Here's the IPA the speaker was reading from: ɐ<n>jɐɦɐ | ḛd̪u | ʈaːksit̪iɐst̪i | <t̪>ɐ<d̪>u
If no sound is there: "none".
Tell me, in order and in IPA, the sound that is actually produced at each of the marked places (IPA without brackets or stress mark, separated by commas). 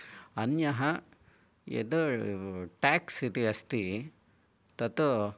n, t̪, t̪